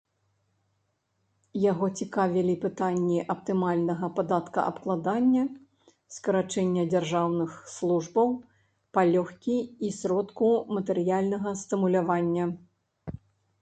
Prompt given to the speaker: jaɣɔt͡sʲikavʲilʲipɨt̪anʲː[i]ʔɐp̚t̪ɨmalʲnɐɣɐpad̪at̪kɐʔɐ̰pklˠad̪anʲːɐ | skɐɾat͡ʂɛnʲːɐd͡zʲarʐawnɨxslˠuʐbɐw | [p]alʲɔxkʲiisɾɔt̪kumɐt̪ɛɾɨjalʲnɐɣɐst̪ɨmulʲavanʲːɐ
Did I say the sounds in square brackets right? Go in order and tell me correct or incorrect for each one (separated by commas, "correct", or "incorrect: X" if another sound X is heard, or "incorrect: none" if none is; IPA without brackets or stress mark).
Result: correct, correct